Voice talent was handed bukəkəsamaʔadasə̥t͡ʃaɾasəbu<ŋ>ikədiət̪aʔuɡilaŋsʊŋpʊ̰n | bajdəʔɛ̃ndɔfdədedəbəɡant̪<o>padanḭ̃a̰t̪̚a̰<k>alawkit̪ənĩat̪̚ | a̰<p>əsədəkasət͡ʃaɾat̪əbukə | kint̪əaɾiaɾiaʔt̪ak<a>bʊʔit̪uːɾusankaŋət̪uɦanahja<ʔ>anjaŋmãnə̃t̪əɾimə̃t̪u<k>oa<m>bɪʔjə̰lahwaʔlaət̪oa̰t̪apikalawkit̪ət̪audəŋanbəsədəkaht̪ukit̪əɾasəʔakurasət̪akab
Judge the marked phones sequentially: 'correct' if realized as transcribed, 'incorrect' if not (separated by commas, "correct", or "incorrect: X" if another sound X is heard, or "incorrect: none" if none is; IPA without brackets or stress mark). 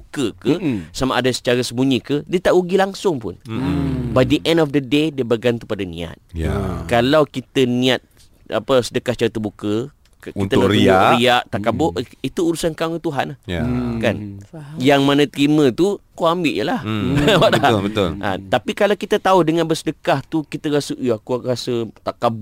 incorrect: ɲ, incorrect: u, correct, correct, correct, incorrect: k, correct, correct